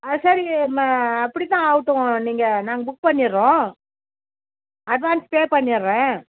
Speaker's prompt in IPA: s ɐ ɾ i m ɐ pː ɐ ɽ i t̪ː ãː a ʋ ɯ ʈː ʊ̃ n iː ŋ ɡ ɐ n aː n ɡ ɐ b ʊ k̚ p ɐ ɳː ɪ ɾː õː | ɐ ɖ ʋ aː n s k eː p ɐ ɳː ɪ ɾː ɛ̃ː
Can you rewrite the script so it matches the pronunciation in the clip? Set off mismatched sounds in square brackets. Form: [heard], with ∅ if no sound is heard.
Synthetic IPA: s ɐ ɾ i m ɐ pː ɐ ɽ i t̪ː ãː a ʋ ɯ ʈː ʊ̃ n iː ŋ ɡ ɐ n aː [ŋ] ɡ ɐ b ʊ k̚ p ɐ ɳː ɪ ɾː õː | ɐ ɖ ʋ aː n s [p] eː p ɐ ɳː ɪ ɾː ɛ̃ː